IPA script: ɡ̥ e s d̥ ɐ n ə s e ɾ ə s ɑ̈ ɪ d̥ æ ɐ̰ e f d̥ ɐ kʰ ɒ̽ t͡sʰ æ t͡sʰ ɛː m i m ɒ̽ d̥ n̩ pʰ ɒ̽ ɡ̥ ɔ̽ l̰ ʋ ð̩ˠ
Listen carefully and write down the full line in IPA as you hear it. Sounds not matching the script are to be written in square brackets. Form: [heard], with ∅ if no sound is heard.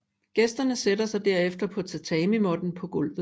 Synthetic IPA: ɡ̥ e s d̥ ɐ n ə s e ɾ [ɐ] s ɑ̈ ɪ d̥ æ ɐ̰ e f d̥ ɐ [pʰ] ɒ̽ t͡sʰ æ t͡sʰ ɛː m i m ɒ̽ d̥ n̩ pʰ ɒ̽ ɡ̥ ɔ̽ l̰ ʋ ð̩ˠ